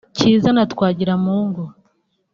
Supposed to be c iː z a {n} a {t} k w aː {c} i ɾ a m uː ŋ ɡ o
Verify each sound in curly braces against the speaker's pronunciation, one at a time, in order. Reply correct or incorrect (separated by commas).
correct, correct, incorrect